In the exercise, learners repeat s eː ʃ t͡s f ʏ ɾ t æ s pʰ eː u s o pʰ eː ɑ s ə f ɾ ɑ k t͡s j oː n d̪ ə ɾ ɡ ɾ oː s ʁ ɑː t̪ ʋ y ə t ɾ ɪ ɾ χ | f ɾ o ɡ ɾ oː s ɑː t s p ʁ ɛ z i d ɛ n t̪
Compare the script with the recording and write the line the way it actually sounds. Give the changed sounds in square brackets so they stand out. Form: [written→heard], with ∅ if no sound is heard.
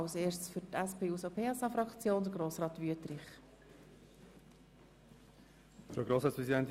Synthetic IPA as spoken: s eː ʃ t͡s f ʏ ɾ t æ s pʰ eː u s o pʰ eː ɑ s [ə→ɑ] f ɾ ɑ k t͡s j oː n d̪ ə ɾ ɡ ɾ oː s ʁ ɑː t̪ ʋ y ə t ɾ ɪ [ɾ→∅] χ | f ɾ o ɡ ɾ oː s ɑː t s p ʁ ɛ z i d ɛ n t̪

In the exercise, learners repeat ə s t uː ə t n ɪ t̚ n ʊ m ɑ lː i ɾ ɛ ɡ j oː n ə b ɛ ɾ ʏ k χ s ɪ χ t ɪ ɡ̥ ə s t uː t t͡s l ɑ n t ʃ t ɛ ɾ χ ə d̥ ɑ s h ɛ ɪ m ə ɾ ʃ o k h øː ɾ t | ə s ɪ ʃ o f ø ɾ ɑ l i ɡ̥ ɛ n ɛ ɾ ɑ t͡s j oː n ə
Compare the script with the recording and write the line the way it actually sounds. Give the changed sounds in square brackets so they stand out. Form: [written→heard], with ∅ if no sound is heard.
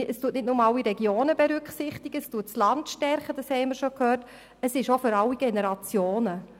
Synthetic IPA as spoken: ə s t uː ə t n ɪ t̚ n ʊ m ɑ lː i ɾ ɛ ɡ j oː n ə b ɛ ɾ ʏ k χ s ɪ χ t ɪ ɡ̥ ə s t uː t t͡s l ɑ n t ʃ t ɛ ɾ χ ə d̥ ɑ s h ɛ ɪ m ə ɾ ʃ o k h øː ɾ t | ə s ɪ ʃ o f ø ɾ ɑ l i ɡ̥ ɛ n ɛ ɾ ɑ t͡s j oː n ə

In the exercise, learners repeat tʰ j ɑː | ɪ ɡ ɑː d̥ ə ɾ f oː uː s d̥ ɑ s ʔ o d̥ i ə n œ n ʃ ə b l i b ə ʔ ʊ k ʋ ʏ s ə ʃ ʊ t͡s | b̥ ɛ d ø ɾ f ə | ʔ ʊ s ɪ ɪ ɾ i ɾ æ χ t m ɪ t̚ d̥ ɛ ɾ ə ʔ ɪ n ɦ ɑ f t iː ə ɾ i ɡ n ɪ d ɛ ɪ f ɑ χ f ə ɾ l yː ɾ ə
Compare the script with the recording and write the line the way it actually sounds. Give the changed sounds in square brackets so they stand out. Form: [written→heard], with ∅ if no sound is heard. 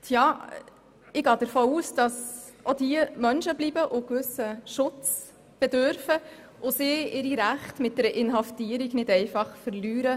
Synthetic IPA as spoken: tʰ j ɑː | ɪ ɡ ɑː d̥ ə ɾ f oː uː s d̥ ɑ s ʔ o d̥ i ə [n→m] œ n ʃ ə b l i b ə ʔ ʊ k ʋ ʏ s ə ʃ ʊ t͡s | b̥ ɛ d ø ɾ f ə | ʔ ʊ s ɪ ɪ ɾ i ɾ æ χ t m ɪ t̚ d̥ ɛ ɾ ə ʔ ɪ n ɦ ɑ f t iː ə ɾ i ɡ n ɪ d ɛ ɪ f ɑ χ f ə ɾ l yː ɾ ə

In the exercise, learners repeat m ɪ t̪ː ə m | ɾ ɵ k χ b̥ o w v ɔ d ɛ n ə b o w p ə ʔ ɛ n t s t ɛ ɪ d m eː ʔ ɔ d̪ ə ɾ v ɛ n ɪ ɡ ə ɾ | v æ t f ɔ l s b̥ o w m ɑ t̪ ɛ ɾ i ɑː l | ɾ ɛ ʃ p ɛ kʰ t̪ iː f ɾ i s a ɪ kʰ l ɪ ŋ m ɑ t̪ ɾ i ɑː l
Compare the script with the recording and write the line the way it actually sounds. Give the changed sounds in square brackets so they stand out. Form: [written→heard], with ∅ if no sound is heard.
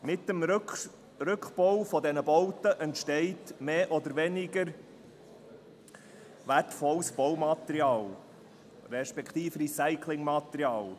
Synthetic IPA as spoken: m ɪ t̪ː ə m | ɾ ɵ k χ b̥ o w [v→f] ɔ d ɛ n ə b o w [p→t] ə ʔ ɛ n t [s→ʃ] t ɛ ɪ [d→t] m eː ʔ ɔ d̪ ə ɾ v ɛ n ɪ ɡ ə ɾ | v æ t f ɔ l s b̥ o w m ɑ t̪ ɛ ɾ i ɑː l | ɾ ɛ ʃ p ɛ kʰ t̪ iː f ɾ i s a ɪ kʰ l ɪ ŋ m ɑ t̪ ɾ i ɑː l

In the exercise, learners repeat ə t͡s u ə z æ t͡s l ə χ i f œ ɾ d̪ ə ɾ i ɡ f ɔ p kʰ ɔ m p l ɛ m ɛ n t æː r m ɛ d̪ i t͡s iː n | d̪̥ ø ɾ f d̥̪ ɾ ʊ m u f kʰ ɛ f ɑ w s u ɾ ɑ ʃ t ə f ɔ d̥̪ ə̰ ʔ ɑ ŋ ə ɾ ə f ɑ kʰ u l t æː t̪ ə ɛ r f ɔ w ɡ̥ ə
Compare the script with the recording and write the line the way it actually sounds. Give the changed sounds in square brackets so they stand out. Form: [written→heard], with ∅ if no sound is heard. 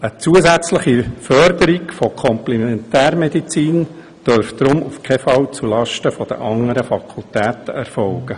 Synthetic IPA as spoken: ə t͡s u ə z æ t͡s l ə χ i f œ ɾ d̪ ə ɾ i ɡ f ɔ [p→∅] kʰ ɔ m p l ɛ m ɛ n t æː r m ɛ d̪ i t͡s iː n | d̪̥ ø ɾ f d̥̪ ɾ ʊ m u f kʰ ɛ f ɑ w [s→t͡s] u [ɾ→l] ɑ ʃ t ə f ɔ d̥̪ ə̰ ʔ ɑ ŋ ə ɾ ə f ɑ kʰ u l t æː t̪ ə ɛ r f ɔ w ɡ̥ ə

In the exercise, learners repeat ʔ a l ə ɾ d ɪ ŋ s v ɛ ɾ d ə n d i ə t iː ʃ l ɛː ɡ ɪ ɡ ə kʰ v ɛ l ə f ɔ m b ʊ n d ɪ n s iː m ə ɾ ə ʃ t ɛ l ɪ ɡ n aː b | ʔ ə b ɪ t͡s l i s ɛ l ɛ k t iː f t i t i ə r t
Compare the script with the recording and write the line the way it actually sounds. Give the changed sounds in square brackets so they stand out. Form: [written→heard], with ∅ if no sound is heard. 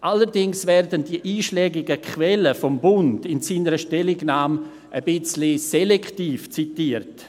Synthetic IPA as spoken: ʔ a l ə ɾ d ɪ ŋ s v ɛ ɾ d ə n d i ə [t→ʔ] iː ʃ l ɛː ɡ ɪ ɡ ə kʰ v ɛ l ə f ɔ m b ʊ n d ɪ n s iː [m→n] ə ɾ ə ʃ t ɛ l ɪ ɡ n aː [b→m] | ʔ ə b ɪ t͡s l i s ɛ l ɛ k t iː f [t→t͡s] i t i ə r t

